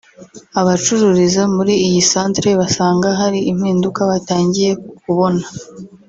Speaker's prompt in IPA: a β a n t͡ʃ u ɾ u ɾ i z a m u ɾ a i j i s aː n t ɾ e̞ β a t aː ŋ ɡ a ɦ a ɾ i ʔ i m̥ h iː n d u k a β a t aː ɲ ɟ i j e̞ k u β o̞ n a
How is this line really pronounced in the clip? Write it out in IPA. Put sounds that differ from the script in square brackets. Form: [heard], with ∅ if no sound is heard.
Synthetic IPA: a β a [∅] t͡ʃ u ɾ u ɾ i z a m u ɾ [i] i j i s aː n t ɾ e̞ β a [s] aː ŋ ɡ a ɦ a ɾ i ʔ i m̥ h iː n d u k a β a t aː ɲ ɟ i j e̞ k u β o̞ n a